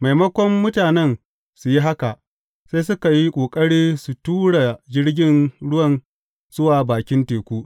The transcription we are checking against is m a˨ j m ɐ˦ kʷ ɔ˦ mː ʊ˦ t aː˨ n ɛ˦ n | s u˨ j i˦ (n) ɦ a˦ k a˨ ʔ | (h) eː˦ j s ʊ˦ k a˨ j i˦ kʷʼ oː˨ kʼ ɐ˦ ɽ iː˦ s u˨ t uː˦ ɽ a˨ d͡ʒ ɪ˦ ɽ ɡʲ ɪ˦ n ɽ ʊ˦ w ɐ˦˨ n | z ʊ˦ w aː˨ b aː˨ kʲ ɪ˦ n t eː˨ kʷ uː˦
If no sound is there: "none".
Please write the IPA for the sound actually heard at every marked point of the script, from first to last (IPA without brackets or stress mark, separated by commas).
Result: none, s